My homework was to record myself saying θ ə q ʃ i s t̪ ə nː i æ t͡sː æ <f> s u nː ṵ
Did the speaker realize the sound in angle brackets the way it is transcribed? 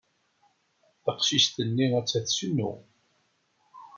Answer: no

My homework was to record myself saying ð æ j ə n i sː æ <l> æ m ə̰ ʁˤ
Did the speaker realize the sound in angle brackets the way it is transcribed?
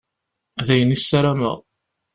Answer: no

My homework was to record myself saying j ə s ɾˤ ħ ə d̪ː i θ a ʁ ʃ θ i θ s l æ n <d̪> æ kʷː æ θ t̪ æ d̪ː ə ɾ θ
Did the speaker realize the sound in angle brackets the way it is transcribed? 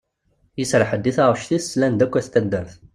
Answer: yes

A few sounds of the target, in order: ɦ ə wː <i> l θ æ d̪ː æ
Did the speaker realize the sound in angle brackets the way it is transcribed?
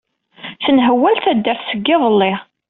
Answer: no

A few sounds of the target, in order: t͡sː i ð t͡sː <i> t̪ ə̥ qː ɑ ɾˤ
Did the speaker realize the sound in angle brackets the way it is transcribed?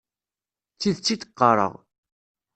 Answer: yes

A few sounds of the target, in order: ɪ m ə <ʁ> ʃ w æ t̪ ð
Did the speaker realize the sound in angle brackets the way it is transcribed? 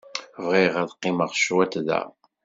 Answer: yes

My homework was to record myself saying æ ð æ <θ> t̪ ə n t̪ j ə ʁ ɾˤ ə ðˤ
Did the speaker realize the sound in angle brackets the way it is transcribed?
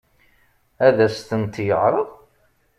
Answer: no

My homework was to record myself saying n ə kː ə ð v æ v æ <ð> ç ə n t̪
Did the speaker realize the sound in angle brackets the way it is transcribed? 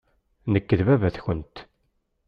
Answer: no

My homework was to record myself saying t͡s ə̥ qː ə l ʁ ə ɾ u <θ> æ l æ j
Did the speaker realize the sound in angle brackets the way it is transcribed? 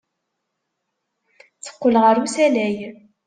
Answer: no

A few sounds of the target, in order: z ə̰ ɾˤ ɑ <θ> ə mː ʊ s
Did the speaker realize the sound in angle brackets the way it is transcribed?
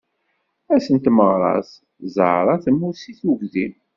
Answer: yes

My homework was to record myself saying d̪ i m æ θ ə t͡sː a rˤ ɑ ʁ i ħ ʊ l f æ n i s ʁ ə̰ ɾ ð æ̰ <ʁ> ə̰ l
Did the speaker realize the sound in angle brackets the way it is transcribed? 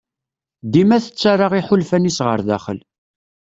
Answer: no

